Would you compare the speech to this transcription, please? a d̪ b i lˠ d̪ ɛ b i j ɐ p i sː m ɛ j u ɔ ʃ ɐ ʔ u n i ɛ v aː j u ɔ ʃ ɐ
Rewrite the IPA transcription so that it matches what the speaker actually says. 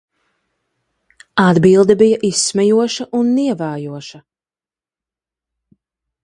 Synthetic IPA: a d̪ b i lˠ d̪ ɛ b i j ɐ ʔ i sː m ɛ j u ɔ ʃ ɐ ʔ u nː i ɛ v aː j u ɔ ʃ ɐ